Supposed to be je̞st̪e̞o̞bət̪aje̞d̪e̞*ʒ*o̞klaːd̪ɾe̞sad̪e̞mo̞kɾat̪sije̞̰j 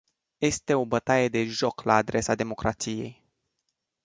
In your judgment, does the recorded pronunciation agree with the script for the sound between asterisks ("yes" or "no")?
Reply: yes